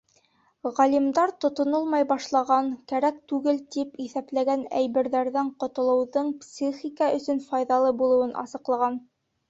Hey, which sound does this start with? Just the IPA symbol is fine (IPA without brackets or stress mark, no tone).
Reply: ʁ